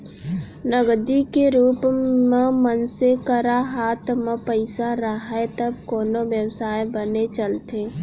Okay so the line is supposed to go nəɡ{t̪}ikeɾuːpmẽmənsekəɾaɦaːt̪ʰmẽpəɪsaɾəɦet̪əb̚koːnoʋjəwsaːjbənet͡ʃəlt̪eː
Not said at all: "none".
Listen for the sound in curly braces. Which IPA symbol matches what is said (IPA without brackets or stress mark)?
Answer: d̪